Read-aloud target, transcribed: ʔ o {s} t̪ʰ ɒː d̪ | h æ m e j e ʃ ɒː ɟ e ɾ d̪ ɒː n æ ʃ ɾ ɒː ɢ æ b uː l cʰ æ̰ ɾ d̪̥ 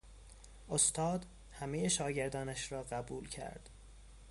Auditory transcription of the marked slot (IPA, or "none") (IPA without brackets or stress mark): s